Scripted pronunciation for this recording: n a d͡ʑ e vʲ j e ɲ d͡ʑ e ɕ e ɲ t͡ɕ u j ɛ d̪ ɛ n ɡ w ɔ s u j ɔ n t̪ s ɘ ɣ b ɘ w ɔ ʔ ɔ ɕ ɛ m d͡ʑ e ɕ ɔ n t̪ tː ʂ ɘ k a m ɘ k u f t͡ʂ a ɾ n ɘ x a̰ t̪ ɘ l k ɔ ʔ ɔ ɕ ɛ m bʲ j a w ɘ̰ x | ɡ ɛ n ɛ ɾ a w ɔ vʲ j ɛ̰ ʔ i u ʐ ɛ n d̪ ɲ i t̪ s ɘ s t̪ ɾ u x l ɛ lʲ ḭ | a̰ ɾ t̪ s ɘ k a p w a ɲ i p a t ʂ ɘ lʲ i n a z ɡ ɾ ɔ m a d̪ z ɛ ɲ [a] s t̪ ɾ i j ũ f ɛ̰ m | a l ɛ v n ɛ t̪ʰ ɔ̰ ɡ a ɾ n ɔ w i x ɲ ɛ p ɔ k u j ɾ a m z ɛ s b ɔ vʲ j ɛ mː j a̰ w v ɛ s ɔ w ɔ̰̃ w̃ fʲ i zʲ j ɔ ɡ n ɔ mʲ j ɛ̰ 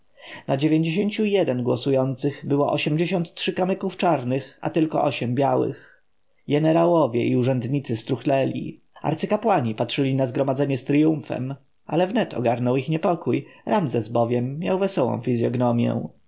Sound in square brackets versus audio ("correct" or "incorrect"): incorrect